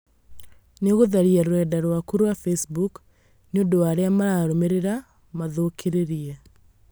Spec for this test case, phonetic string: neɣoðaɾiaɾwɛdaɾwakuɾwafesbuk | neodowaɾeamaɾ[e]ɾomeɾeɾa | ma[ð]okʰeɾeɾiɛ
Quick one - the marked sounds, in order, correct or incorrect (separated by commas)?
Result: incorrect, correct